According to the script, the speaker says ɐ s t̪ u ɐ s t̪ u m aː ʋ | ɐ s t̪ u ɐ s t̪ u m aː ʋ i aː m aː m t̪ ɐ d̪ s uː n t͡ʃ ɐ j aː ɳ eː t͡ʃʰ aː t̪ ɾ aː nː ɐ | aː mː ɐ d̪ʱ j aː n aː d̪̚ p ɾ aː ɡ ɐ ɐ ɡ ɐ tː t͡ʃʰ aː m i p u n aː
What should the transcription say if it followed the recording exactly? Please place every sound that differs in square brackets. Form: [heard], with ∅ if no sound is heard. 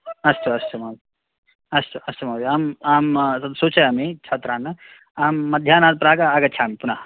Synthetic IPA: ɐ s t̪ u ɐ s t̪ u m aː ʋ | ɐ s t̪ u ɐ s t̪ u m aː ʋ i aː m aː m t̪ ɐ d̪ s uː [∅] t͡ʃ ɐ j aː [m] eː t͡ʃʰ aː t̪ ɾ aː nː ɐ | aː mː ɐ d̪ʱ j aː n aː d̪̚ p ɾ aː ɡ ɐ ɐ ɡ ɐ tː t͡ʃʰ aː m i p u n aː